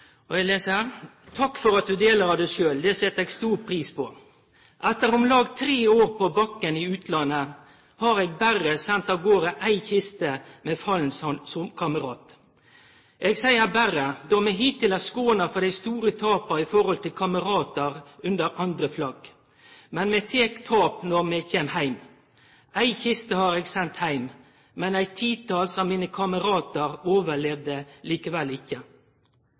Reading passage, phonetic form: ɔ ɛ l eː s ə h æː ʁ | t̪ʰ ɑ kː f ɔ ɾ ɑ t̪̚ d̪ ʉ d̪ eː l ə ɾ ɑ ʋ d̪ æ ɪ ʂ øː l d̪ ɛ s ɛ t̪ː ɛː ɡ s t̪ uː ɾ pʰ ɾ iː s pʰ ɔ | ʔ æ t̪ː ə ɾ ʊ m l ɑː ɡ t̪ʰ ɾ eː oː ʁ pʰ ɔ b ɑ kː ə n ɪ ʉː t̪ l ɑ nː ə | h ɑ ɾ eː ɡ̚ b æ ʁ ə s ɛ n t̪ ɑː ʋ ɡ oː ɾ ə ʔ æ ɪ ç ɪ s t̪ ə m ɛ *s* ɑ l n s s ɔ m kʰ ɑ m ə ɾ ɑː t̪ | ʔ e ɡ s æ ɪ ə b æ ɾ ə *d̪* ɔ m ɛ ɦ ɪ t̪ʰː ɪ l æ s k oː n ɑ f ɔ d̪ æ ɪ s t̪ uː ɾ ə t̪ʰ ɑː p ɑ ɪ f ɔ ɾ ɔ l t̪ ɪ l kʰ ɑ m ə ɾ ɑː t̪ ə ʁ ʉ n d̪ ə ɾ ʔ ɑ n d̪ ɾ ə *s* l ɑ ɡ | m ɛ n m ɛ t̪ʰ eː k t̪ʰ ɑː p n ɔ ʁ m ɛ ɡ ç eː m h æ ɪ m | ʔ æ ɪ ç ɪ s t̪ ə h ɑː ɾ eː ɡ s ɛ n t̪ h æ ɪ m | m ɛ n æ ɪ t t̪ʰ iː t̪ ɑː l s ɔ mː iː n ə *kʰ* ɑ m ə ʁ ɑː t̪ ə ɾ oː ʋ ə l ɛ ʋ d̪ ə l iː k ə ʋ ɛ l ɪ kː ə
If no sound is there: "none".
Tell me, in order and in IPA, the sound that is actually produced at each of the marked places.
f, d̪, f, kʰ

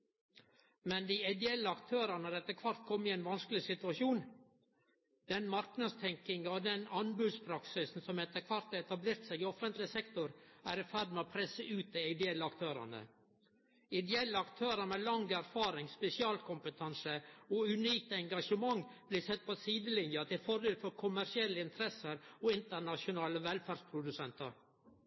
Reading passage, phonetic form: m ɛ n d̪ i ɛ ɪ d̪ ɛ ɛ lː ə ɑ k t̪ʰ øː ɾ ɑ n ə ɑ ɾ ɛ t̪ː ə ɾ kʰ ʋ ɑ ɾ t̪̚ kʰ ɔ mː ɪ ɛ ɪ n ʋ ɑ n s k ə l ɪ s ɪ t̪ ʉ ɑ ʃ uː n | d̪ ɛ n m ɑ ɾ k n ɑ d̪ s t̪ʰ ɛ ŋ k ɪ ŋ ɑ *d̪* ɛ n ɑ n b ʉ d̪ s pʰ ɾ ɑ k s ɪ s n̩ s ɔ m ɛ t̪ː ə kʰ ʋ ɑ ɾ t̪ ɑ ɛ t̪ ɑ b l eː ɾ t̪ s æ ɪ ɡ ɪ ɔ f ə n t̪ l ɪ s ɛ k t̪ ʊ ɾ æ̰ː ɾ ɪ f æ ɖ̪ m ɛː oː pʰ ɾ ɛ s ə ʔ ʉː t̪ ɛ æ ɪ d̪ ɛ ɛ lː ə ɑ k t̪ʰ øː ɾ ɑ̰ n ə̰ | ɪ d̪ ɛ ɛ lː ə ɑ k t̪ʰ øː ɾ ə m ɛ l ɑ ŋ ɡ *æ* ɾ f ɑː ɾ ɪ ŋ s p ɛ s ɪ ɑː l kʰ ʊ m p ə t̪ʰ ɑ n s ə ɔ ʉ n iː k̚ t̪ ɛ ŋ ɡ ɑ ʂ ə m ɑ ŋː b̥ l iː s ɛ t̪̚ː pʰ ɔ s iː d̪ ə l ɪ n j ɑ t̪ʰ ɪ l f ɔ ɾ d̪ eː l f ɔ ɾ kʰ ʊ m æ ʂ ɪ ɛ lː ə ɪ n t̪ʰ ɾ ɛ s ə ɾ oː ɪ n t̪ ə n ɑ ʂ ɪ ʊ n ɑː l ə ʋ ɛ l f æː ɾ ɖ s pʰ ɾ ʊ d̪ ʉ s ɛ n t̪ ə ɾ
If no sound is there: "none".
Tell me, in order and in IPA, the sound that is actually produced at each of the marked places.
d̪, æ

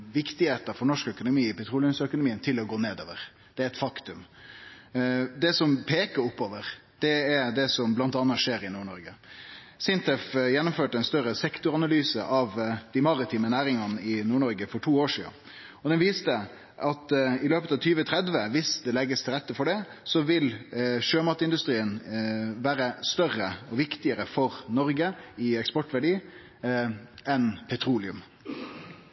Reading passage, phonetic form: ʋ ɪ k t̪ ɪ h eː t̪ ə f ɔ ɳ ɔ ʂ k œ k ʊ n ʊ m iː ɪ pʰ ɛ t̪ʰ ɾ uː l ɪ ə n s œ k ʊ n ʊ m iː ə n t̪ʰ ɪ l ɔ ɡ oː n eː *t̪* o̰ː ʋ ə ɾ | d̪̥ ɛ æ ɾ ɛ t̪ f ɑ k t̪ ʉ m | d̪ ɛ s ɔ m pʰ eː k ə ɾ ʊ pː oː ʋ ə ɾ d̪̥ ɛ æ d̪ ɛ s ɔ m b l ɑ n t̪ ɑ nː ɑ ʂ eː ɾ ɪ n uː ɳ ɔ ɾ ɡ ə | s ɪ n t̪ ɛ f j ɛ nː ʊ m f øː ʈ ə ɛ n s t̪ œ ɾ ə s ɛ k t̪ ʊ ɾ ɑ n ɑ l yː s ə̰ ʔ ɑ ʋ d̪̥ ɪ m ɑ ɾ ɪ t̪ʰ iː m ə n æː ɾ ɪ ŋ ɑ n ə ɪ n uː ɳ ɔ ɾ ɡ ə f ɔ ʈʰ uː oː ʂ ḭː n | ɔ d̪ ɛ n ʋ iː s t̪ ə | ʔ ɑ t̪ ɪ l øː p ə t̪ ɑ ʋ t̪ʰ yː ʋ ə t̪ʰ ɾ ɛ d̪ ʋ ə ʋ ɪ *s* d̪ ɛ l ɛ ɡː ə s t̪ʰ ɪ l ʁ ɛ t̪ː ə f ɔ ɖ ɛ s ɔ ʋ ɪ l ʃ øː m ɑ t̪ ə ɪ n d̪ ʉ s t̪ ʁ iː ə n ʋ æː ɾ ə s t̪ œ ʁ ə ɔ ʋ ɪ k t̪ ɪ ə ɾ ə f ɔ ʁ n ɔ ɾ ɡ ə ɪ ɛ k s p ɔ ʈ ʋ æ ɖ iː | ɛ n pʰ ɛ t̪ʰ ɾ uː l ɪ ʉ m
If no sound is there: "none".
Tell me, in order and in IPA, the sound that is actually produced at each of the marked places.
d̪, s

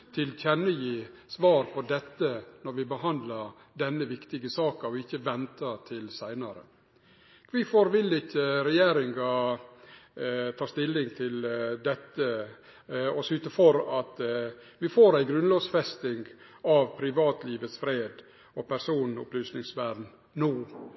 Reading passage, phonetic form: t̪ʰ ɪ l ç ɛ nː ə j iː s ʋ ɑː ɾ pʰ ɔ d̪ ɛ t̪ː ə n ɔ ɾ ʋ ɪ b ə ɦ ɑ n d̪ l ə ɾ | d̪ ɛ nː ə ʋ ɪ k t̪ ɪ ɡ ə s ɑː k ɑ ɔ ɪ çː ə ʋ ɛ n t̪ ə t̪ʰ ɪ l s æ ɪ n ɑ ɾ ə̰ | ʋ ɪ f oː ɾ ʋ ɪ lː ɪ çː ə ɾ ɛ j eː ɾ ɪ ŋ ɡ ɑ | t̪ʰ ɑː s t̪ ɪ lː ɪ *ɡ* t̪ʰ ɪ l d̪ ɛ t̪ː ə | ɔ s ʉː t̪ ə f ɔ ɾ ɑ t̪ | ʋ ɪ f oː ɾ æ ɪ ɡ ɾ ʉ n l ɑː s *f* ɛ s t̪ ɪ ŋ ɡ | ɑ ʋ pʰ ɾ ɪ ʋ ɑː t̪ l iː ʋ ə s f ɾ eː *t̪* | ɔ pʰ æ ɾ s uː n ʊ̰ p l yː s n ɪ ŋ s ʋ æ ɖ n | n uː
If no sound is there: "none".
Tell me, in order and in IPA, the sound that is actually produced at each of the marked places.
ŋ, f, d̪

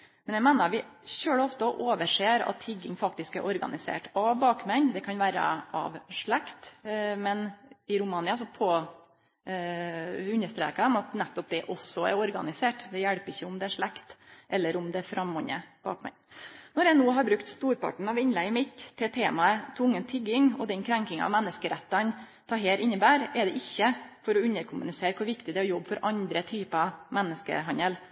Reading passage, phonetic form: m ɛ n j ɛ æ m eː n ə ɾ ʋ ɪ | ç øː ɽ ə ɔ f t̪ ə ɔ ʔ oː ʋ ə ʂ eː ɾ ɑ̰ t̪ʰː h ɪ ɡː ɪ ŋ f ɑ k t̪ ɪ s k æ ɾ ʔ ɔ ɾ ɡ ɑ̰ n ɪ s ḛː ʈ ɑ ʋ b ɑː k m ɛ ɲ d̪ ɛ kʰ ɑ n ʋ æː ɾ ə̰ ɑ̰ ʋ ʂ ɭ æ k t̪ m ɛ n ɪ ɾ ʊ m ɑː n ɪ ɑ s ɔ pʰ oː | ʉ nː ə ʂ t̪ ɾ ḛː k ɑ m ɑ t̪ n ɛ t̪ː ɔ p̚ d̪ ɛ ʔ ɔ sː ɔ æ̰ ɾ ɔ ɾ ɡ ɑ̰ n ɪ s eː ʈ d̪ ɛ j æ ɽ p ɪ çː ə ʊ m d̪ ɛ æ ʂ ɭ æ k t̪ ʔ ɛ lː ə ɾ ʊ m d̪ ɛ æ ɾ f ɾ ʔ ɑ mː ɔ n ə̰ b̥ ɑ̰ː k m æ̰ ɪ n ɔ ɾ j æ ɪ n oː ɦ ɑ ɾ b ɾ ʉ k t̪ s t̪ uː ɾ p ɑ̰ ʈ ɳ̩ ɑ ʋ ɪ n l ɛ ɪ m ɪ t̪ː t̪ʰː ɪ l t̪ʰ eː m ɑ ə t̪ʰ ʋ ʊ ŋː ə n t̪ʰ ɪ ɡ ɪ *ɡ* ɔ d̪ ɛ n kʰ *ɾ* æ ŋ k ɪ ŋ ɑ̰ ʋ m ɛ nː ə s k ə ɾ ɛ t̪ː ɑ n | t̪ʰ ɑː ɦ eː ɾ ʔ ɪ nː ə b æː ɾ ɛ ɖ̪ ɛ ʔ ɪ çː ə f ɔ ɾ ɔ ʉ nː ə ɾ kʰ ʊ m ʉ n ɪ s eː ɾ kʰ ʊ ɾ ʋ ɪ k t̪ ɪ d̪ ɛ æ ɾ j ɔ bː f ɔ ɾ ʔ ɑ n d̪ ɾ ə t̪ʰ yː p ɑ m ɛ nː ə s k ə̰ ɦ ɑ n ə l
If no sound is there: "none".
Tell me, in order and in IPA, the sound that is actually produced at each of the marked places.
ŋ, ɾ

